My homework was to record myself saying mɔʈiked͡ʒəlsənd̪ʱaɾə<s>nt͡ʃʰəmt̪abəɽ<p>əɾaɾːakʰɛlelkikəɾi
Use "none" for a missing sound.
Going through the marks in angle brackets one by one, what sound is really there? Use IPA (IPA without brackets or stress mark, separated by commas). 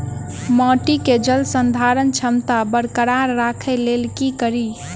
none, k